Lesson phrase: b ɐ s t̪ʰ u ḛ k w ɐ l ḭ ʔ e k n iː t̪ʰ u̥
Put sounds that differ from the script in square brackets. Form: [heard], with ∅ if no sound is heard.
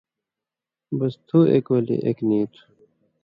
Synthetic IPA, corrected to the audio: b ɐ s t̪ʰ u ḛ k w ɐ l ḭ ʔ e k n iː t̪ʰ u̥